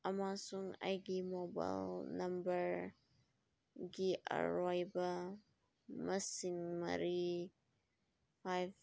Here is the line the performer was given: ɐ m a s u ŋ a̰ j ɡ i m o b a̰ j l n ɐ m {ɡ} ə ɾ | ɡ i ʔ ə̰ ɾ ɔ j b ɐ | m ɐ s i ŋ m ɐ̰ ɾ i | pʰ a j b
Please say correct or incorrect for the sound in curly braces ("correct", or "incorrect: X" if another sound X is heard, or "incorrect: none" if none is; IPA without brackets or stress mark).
incorrect: b